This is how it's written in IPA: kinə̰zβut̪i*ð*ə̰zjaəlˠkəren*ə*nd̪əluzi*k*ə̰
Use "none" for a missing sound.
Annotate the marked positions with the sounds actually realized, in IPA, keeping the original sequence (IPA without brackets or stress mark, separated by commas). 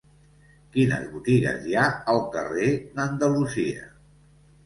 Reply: ɣ, ə, none